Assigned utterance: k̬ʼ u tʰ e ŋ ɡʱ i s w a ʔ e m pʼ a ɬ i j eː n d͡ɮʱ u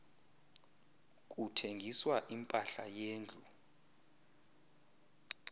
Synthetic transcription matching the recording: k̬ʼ u tʰ e ŋ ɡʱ i s w a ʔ i m pʼ a ɬ a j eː n d͡ɮʱ u